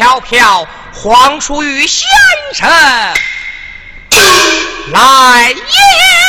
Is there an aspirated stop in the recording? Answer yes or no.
yes